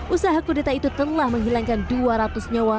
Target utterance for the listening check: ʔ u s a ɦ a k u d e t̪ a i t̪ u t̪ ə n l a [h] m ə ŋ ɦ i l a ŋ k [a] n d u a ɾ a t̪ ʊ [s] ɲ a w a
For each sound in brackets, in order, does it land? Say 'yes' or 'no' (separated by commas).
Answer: yes, yes, yes